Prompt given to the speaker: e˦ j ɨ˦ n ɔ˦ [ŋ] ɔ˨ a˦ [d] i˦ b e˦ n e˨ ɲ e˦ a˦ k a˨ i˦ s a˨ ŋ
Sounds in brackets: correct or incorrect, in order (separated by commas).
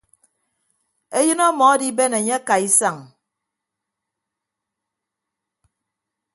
incorrect, correct